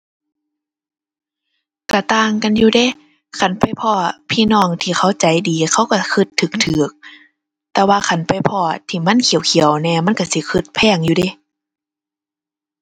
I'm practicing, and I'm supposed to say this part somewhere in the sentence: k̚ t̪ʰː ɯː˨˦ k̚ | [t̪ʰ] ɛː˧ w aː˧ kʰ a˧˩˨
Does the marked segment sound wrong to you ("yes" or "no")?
yes